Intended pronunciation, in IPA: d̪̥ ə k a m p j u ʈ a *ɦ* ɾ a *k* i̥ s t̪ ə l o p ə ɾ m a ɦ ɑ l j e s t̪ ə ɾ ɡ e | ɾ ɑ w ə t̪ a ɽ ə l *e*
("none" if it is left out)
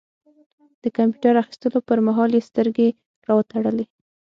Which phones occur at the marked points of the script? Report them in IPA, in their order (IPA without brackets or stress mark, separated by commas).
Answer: none, x, e